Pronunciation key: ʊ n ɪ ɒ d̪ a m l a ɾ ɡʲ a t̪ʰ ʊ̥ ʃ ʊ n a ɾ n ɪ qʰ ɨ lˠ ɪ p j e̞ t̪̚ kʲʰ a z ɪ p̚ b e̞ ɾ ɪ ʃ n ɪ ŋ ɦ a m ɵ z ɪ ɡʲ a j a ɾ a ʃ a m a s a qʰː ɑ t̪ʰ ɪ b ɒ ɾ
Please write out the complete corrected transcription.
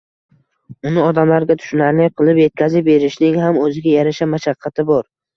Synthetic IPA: ʊ n ɪ ɒ d̪ a m l a ɾ ɡʲ a t̪ʰ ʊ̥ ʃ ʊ n a ɾ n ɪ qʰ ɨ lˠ ɪ p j e̞ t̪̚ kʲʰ a z ɪ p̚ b e̞ ɾ ɪ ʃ n ɪ ŋ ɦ a m ɵ z ɪ ɡʲ a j a ɾ a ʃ a m a ʃ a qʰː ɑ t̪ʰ ɪ b ɒ ɾ